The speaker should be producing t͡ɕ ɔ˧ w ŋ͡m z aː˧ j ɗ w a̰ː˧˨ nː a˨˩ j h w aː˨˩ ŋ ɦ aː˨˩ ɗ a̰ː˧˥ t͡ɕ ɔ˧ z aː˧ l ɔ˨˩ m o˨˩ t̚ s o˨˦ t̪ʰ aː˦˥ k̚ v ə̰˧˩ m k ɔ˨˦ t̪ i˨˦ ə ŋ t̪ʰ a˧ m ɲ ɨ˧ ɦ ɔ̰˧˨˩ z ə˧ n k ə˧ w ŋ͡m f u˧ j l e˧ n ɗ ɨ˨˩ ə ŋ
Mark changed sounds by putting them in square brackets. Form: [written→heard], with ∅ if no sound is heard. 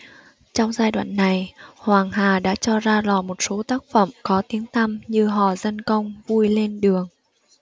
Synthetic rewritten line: t͡ɕ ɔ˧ w ŋ͡m z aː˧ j ɗ w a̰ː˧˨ nː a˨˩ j h w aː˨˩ ŋ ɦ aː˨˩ ɗ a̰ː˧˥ t͡ɕ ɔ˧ z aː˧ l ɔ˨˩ m o˨˩ t̚ s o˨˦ [t̪ʰ→t̪] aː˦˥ k̚ [v→f] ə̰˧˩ m k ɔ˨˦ t̪ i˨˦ ə ŋ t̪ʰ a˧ m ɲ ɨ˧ ɦ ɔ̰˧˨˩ z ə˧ n k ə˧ w ŋ͡m [f→v] u˧ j l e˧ n ɗ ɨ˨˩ ə ŋ